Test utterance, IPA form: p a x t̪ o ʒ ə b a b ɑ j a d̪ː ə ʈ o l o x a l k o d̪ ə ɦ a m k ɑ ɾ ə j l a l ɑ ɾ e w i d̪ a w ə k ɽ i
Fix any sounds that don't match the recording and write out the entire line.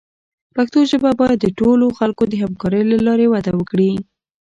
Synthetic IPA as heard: p a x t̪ o ʒ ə b a b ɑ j a d̪ː ə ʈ o l o x a l k o d̪ ə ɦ a m k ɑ ɾ ə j l a l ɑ ɾ e w a d̪ a w ə k ɽ i